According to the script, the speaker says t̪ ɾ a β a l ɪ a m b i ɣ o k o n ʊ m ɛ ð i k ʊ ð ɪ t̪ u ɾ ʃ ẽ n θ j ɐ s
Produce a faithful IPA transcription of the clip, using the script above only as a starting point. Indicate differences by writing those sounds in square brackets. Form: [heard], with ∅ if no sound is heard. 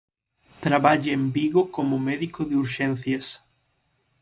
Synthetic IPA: t̪ ɾ a β a [ʎ] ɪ [e] m b i ɣ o k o [m] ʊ m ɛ ð i k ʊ ð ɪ [∅] u ɾ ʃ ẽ n θ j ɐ s